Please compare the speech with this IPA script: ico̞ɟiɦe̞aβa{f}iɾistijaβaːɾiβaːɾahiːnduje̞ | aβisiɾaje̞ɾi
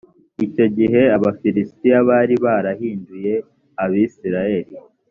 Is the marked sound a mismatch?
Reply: no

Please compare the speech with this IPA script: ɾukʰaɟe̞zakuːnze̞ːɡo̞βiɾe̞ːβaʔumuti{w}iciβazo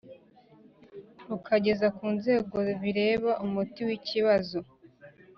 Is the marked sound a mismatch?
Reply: no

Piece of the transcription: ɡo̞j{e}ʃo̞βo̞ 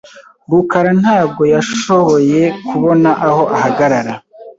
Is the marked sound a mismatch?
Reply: yes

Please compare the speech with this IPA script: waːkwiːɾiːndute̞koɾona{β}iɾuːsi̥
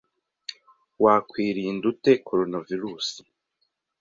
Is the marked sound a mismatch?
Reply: yes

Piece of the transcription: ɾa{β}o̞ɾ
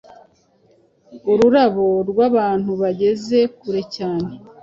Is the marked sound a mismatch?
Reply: no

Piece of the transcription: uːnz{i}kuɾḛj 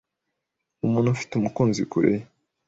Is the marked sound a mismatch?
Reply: no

